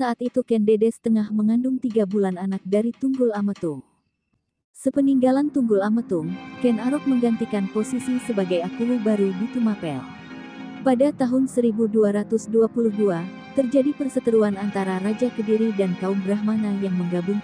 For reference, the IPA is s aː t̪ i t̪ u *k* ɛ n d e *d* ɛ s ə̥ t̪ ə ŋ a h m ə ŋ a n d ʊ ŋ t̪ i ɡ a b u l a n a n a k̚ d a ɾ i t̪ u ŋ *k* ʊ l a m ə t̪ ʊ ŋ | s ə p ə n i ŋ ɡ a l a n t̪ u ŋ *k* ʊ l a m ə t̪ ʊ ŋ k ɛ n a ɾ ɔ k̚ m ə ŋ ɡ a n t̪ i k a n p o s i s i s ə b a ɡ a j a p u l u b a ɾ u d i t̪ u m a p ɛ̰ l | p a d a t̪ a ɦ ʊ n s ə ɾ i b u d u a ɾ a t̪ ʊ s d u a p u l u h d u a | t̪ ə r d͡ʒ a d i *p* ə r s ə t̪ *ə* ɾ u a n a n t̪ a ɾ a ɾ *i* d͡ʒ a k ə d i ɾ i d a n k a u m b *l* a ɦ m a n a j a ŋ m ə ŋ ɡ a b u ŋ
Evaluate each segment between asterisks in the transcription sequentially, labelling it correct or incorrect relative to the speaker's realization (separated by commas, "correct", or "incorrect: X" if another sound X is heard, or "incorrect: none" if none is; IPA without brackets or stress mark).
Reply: correct, correct, incorrect: ɡ, incorrect: ɡ, correct, correct, incorrect: a, incorrect: ɾ